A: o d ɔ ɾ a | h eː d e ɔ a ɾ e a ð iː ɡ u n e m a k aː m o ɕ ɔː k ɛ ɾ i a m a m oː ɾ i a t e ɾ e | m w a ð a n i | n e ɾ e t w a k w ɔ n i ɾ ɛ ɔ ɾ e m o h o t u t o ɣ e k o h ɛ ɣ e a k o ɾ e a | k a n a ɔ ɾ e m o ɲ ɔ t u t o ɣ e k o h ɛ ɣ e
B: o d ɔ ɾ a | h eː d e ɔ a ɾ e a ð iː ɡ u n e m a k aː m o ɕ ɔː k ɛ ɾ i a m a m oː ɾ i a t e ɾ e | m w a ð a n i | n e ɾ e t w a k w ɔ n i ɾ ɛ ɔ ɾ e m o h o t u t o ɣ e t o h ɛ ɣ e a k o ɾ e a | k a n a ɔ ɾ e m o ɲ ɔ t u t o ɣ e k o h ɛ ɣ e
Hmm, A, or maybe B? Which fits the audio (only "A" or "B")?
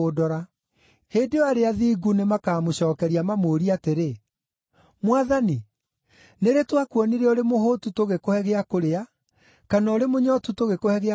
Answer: A